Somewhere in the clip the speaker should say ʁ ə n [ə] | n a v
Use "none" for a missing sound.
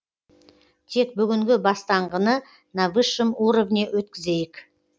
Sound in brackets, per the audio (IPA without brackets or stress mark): ə